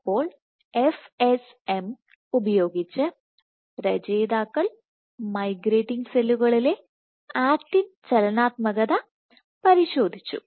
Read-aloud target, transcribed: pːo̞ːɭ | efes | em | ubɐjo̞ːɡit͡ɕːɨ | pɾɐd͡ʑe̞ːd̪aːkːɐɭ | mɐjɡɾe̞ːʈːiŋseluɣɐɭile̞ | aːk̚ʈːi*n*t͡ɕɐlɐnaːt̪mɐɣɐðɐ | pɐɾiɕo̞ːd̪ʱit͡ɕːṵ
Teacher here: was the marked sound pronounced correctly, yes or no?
yes